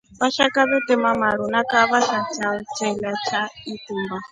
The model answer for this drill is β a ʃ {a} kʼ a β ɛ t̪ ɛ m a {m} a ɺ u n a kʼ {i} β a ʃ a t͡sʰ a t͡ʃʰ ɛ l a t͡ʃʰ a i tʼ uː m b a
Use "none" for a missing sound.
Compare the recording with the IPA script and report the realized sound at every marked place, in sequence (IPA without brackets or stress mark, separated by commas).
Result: a, m, a